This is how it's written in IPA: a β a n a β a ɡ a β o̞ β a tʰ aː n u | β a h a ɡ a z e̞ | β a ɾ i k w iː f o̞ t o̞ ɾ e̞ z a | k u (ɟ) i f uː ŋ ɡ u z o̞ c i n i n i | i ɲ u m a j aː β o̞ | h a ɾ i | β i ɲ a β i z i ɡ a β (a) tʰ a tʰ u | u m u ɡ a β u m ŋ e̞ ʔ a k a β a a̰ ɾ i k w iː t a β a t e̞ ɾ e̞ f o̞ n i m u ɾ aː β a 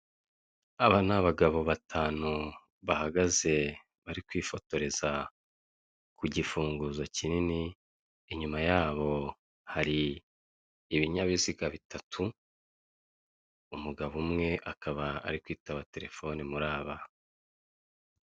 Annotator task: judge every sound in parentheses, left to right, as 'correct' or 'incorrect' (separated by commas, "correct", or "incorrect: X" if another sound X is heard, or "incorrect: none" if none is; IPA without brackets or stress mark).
correct, incorrect: i